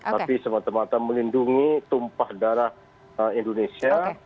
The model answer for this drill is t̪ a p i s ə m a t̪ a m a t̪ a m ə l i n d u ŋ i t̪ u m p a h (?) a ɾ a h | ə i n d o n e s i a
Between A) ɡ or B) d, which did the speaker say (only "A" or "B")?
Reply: B